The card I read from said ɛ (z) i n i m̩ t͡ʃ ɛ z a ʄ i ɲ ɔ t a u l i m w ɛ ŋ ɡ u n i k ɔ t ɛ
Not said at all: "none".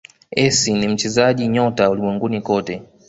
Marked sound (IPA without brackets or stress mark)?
s